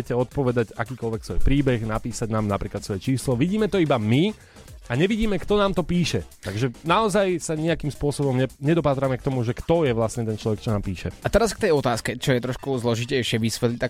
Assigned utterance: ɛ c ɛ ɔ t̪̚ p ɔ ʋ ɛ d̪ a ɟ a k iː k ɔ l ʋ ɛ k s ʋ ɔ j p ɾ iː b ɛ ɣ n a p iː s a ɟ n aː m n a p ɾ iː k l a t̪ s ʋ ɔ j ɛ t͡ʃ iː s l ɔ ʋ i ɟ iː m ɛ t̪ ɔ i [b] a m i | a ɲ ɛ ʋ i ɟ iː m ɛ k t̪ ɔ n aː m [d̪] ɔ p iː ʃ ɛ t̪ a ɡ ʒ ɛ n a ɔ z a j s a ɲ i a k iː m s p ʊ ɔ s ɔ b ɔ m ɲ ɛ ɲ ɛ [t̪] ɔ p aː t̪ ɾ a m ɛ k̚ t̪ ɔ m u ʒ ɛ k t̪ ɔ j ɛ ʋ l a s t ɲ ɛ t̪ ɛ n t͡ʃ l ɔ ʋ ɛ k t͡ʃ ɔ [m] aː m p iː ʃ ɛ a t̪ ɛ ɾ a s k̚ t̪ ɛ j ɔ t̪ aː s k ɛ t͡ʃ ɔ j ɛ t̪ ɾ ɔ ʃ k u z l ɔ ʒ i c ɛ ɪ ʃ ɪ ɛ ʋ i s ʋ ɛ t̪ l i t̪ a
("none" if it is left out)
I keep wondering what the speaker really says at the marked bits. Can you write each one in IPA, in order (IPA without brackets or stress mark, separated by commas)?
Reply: b, t̪, d̪, n